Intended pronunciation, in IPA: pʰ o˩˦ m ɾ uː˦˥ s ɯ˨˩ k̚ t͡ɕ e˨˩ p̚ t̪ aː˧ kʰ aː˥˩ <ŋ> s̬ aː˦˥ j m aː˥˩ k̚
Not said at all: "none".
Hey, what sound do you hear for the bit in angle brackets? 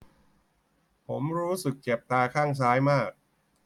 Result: ŋ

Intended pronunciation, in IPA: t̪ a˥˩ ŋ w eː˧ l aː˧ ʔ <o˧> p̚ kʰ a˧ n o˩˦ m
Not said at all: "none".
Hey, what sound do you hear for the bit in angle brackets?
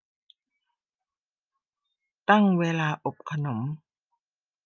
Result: o˨˩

